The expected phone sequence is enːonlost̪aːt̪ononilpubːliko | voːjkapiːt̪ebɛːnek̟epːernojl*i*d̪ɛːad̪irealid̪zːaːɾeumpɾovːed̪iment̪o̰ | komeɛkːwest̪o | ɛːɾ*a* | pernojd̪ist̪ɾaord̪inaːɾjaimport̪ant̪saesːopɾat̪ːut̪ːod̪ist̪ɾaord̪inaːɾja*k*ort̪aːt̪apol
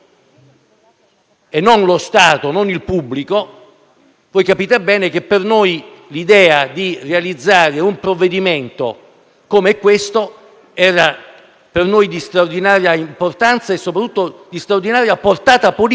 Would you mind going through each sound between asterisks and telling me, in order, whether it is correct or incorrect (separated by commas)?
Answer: correct, correct, incorrect